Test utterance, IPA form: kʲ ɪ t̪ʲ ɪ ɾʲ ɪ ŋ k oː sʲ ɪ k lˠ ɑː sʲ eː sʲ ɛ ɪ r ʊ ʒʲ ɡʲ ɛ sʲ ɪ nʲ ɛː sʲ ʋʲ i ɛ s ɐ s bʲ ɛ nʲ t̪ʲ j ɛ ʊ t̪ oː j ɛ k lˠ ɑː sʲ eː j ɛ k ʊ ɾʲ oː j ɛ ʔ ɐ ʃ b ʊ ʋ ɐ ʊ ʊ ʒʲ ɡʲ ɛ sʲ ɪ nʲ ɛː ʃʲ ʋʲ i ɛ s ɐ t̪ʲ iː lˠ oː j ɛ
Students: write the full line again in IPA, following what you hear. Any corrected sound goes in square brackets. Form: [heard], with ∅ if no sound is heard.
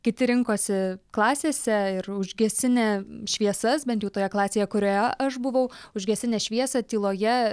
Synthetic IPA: kʲ ɪ t̪ʲ ɪ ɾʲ ɪ ŋ k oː sʲ ɪ k lˠ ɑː sʲ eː sʲ ɛ ɪ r ʊ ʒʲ ɡʲ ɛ sʲ ɪ nʲ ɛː [ʃʲ] ʋʲ i ɛ s ɐ s bʲ ɛ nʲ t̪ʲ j ɛ ʊ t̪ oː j ɛ k lˠ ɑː sʲ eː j ɛ k ʊ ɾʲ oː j ɛ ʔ ɐ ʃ b ʊ ʋ ɐ ʊ ʊ ʒʲ ɡʲ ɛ sʲ ɪ nʲ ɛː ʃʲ ʋʲ i ɛ s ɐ t̪ʲ iː lˠ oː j ɛ

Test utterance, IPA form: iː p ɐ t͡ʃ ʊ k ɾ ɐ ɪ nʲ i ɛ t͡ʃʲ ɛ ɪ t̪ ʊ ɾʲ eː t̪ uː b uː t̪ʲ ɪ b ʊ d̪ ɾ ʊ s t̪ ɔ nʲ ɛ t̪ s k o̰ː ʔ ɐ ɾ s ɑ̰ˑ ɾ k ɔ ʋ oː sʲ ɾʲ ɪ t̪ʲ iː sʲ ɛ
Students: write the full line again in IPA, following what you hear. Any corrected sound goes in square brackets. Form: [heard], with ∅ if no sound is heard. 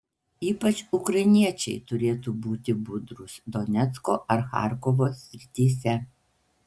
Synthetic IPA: iː p ɐ t͡ʃ ʊ k ɾ ɐ ɪ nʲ i ɛ t͡ʃʲ ɛ ɪ t̪ ʊ ɾʲ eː t̪ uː b uː t̪ʲ ɪ b ʊ d̪ ɾ ʊ s [d̪] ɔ nʲ ɛ t̪ s k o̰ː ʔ ɐ ɾ [x] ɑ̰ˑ ɾ k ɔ ʋ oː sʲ ɾʲ ɪ t̪ʲ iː sʲ ɛ

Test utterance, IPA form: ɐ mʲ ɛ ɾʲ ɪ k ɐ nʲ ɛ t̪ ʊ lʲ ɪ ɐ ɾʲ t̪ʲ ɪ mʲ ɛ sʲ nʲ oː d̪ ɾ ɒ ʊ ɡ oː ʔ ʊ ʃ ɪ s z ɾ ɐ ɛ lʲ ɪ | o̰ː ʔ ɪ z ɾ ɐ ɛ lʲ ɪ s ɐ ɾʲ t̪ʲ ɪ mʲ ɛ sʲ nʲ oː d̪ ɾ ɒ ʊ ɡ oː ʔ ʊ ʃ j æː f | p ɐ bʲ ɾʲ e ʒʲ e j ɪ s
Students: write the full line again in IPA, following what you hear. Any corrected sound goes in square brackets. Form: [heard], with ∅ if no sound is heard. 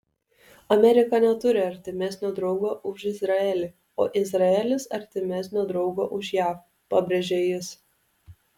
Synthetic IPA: ɐ mʲ ɛ ɾʲ ɪ k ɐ nʲ ɛ t̪ ʊ [ɾʲ] ɪ ɐ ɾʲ t̪ʲ ɪ mʲ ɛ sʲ nʲ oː d̪ ɾ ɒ ʊ ɡ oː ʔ ʊ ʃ ɪ [∅] z ɾ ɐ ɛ lʲ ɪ | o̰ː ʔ ɪ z ɾ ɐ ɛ lʲ ɪ s ɐ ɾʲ t̪ʲ ɪ mʲ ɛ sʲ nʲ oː d̪ ɾ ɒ ʊ ɡ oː ʔ ʊ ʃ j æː f | p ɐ bʲ ɾʲ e ʒʲ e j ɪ s

